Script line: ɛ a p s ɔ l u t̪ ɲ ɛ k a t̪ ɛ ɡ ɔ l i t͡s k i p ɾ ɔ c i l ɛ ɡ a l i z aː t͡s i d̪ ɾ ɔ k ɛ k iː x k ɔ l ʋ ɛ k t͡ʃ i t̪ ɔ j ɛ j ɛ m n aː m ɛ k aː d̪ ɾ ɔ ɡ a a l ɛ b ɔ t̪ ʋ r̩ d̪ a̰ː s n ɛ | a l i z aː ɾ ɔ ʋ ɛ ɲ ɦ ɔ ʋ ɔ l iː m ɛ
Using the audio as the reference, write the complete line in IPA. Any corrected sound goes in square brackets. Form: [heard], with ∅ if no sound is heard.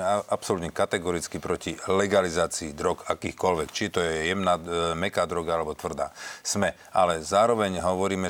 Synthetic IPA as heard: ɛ a p s ɔ l u t̪ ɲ ɛ k a t̪ ɛ ɡ ɔ [ɾ] i t͡s k i p ɾ ɔ c i l ɛ ɡ a l i z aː t͡s [iː] d̪ ɾ ɔ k [a] k iː x k ɔ l ʋ ɛ k t͡ʃ i t̪ ɔ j ɛ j ɛ m n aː m ɛ k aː d̪ ɾ ɔ ɡ a a l ɛ b ɔ t̪ ʋ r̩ d̪ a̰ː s [m] ɛ | a l [ɛ] z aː ɾ ɔ ʋ ɛ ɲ ɦ ɔ ʋ ɔ [ɾ] iː m ɛ